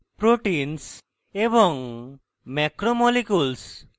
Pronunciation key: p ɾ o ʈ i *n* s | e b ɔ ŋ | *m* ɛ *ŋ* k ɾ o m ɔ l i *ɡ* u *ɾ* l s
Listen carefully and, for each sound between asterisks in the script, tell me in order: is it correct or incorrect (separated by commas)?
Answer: correct, correct, incorrect, incorrect, incorrect